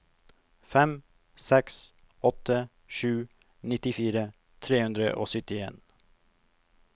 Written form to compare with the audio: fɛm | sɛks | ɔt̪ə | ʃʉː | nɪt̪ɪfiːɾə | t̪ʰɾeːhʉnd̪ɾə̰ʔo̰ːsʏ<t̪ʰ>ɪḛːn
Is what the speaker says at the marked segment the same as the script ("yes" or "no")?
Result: no